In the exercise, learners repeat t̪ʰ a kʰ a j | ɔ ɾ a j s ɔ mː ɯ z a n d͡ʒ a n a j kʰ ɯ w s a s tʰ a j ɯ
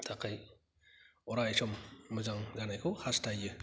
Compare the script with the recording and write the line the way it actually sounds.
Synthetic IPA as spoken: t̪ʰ a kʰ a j | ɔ ɾ a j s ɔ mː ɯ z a ŋ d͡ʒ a n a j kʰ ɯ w h a s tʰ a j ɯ

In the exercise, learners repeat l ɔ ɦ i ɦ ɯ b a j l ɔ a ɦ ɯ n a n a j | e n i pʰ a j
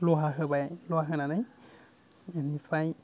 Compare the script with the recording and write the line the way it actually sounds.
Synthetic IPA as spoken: l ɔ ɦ a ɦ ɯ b a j l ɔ a ɦ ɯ n a n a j | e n i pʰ a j

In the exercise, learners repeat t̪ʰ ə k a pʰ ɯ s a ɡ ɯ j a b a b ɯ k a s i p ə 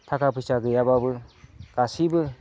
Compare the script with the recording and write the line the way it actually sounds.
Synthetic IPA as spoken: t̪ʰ a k a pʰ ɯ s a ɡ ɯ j a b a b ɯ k a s i b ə

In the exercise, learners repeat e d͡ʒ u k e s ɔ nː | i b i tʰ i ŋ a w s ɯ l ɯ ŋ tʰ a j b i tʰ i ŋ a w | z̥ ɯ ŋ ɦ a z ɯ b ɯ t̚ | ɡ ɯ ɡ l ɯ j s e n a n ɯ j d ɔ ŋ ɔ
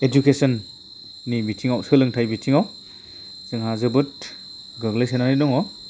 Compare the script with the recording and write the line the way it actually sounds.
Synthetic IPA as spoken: e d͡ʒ u k e s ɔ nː | i b i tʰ i ŋ a w s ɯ l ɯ ŋ tʰ a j b i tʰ i ŋ a w | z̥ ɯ ŋ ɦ a z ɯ b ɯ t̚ | ɡ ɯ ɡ l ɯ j s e n a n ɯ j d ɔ ŋ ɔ

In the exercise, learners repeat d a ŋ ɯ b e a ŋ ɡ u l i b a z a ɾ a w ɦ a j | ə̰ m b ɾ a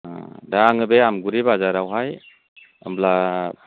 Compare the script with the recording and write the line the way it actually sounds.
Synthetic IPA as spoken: d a ŋ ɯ b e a m ɡ u ɾ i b a z a ɾ a w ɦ a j | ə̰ m b l a

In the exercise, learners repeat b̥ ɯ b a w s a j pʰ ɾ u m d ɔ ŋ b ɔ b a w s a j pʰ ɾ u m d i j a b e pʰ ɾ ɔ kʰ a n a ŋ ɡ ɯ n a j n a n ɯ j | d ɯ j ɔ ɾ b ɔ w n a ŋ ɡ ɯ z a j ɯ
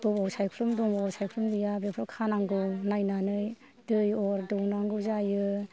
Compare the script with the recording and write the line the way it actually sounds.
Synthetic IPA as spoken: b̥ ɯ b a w s a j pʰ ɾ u m d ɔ ŋ b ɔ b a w s a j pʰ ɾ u m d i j a b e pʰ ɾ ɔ kʰ a n a ŋ ɡ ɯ n a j n a n ɯ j | d ɯ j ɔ ɾ d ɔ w n a ŋ ɡ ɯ z a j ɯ

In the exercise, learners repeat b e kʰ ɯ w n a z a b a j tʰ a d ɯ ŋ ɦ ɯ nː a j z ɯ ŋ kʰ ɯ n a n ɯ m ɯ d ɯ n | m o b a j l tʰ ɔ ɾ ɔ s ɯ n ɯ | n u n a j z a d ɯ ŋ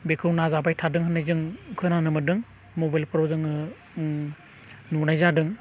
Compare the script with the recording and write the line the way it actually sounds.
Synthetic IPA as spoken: b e kʰ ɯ w n a z a b a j tʰ a d ɯ ŋ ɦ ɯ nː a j z ɯ ŋ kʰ ɯ n a n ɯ m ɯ d ɯ ŋ | m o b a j l pʰ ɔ ɾ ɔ z ɯ ŋ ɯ | n u n a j z a d ɯ ŋ

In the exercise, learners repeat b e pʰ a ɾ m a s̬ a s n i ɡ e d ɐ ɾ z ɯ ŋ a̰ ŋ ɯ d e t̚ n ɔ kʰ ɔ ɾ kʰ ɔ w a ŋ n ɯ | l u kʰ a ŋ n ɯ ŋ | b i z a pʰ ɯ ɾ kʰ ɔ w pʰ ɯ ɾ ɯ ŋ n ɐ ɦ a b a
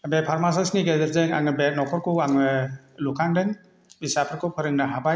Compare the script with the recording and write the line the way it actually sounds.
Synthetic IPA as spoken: b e pʰ a ɾ m a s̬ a s n i ɡ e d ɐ ɾ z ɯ ŋ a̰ ŋ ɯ b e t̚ n ɔ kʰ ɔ ɾ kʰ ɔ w a ŋ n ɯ | l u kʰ a ŋ d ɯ ŋ | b i s a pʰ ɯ ɾ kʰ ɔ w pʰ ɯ ɾ ɯ ŋ n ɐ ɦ a b a

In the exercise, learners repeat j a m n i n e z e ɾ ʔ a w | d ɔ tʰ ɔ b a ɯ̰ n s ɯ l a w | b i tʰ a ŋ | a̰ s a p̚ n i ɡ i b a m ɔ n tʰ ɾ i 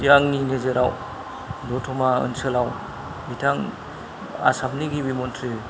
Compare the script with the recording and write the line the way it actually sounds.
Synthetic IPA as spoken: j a ŋ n i n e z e ɾ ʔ a w | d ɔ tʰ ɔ m a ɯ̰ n s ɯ l a w | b i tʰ a ŋ | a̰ s a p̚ n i ɡ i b i m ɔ n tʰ ɾ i

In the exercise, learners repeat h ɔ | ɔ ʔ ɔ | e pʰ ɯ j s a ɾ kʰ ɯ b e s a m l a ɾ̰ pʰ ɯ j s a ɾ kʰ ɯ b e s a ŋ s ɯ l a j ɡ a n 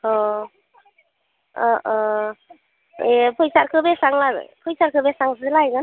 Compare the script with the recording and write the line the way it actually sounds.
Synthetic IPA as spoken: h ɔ | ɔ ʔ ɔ | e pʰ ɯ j s a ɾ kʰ ɯ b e s a ŋ l a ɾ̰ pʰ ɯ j s a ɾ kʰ ɯ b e s a ŋ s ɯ l a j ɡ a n

